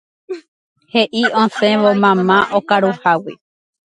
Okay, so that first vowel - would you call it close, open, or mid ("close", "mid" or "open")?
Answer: mid